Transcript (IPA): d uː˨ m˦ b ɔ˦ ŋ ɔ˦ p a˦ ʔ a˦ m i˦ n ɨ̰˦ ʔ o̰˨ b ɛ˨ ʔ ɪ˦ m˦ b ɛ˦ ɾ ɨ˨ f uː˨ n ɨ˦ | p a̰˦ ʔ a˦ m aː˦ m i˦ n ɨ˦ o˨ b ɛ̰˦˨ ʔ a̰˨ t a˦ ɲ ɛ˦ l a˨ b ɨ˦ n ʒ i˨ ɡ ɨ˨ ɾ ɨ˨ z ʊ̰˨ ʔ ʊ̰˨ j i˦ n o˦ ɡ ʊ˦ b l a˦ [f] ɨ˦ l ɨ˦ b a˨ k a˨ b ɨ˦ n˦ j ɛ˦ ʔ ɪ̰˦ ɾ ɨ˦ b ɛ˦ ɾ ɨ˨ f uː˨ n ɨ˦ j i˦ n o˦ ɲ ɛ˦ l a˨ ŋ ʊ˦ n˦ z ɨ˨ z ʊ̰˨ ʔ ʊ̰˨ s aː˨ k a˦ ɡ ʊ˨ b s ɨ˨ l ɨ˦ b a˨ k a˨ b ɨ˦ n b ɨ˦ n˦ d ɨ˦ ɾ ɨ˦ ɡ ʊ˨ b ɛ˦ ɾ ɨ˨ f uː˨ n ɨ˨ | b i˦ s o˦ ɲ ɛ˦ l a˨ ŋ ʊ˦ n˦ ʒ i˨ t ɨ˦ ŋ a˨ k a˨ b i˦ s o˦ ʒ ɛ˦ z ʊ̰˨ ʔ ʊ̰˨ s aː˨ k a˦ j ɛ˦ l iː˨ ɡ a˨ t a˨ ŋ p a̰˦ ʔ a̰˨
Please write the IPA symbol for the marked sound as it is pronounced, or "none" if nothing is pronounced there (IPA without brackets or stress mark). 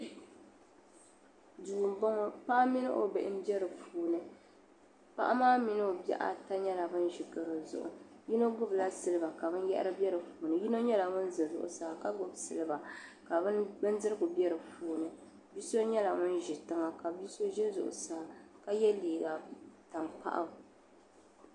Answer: s